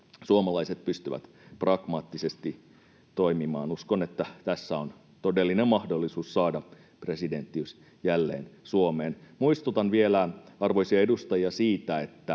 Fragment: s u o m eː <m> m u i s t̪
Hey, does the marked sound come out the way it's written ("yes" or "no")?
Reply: no